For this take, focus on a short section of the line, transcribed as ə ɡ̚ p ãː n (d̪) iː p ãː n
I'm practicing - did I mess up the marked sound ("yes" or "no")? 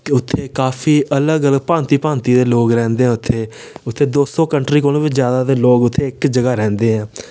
yes